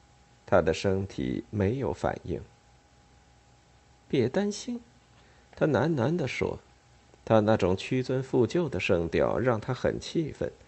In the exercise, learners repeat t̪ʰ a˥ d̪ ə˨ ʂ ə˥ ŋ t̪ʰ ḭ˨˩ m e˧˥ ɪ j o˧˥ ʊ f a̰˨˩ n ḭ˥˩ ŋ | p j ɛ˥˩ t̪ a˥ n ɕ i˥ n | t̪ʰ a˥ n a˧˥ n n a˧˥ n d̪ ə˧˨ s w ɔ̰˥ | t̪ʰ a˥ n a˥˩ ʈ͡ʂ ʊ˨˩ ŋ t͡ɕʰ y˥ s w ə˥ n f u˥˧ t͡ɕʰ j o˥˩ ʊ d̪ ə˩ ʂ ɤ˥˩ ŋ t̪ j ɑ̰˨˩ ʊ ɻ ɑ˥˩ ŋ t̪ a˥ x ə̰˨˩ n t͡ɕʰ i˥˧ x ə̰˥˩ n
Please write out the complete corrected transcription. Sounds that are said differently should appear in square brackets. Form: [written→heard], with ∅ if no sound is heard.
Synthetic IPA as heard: t̪ʰ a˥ d̪ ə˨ ʂ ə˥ ŋ t̪ʰ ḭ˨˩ m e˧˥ ɪ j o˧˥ ʊ f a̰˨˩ n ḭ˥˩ ŋ | p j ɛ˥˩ t̪ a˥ n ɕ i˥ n | t̪ʰ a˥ n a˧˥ n n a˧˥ n d̪ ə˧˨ [s→ʂ] w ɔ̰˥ | t̪ʰ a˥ n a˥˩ ʈ͡ʂ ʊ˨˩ ŋ t͡ɕʰ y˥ [s→t͡s] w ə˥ n f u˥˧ [t͡ɕʰ→t͡ɕ] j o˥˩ ʊ d̪ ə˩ ʂ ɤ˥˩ ŋ t̪ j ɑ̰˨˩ ʊ ɻ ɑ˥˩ ŋ [t̪→t̪ʰ] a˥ x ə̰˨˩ n t͡ɕʰ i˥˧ [x→f] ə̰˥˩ n